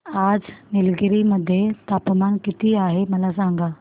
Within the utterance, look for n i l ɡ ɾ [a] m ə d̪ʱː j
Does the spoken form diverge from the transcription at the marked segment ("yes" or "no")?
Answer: yes